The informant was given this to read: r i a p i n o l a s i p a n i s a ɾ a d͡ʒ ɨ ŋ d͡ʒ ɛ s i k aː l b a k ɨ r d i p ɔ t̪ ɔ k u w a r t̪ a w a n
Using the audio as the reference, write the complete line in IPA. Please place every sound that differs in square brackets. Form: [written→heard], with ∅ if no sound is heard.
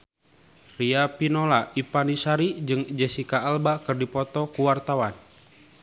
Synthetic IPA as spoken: r i a p i n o l a [s→∅] i p a n i s a ɾ [a→i] d͡ʒ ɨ ŋ d͡ʒ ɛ s i k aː l b a k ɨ r d i p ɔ t̪ ɔ k u w a r t̪ a w a n